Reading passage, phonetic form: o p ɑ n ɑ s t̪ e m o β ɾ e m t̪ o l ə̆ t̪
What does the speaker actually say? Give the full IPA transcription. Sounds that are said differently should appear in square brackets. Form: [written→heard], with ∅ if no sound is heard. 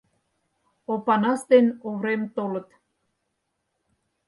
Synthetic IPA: o p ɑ n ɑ s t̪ e [m→n] o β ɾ e m t̪ o l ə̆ t̪